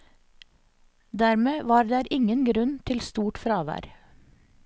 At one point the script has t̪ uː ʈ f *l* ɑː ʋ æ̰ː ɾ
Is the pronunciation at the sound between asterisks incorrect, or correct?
incorrect: ɾ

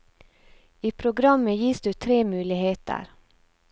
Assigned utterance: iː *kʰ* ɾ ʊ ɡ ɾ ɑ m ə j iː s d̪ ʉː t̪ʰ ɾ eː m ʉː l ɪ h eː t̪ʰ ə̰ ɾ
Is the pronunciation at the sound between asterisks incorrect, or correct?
incorrect: pʰ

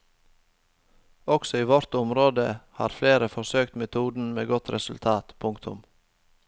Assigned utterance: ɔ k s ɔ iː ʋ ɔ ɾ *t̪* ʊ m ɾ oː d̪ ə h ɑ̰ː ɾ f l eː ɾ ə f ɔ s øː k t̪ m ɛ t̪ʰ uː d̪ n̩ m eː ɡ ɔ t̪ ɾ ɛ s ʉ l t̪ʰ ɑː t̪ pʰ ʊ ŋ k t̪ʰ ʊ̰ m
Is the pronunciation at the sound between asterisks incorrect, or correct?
correct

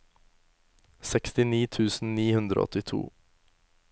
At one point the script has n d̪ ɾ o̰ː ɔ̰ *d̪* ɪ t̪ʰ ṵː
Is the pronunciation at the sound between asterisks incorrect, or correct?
incorrect: t̪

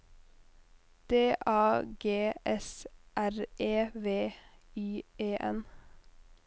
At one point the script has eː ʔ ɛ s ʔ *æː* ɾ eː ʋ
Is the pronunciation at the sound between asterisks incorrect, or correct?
incorrect: æ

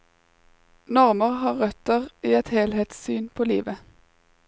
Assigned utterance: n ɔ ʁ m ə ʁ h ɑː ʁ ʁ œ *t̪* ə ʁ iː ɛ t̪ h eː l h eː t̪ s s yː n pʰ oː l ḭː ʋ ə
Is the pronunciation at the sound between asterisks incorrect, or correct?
correct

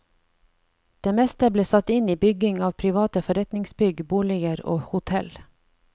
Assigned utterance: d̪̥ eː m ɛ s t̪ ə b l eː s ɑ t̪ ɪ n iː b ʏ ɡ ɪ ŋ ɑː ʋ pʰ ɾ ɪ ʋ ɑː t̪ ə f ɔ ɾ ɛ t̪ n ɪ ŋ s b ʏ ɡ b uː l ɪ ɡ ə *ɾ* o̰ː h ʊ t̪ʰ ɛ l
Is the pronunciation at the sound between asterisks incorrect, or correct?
correct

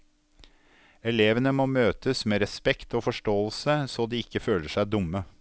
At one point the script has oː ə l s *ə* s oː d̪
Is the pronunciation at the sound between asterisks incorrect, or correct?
correct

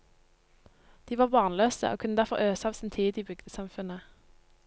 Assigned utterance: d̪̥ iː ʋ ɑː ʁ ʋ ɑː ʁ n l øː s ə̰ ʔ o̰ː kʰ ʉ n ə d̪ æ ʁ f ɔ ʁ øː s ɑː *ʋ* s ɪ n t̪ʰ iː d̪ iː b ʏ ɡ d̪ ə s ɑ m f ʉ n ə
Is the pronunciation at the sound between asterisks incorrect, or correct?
correct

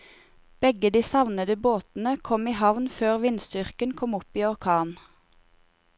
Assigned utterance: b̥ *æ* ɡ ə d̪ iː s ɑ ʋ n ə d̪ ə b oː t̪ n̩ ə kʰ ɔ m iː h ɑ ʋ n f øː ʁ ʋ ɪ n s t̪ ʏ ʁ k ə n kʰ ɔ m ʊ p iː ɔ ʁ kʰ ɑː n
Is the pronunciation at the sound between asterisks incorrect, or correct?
incorrect: ɛ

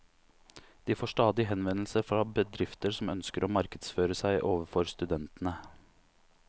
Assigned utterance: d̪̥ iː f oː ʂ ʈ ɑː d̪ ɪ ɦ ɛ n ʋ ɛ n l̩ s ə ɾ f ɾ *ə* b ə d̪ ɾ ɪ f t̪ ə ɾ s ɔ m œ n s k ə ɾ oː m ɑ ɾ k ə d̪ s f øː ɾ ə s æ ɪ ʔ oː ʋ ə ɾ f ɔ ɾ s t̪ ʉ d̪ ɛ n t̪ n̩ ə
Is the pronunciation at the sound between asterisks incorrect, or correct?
incorrect: ɑ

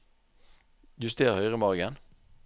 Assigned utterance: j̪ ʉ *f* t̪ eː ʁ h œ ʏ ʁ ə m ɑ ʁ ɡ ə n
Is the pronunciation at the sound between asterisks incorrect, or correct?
incorrect: s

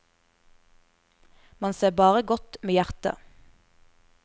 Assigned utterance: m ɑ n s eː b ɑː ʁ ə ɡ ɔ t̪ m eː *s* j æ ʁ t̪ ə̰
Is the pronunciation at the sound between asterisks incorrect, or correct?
incorrect: none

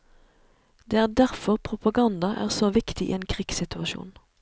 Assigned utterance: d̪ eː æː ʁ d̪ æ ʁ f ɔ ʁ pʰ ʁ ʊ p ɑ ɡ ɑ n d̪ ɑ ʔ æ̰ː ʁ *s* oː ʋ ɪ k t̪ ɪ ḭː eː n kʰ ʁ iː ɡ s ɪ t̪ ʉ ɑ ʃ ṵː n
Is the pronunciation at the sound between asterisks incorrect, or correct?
correct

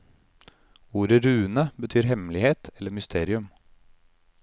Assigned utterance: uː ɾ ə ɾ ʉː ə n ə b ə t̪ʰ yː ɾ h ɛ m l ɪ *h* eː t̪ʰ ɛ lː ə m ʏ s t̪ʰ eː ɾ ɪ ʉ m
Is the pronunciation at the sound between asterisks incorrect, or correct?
correct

